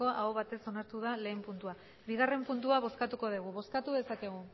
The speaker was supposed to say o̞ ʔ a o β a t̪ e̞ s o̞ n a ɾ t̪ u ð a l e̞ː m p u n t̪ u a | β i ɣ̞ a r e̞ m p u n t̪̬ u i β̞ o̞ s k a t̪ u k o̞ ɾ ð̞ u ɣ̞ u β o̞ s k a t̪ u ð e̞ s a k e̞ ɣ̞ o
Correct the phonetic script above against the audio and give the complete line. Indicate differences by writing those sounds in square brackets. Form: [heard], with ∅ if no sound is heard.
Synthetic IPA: o̞ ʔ a o β a t̪ e̞ s o̞ n a ɾ t̪ u ð a l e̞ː m p u n t̪ u a | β i ɣ̞ a r e̞ m p u n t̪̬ u [a] β̞ o̞ s k a t̪ u k o̞ [∅] ð̞ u ɣ̞ u β o̞ s k a t̪ u ð e̞ s a k e̞ ɣ̞ [u]